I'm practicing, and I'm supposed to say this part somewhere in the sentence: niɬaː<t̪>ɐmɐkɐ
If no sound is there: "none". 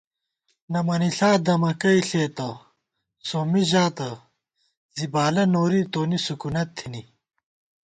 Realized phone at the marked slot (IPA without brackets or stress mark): d̪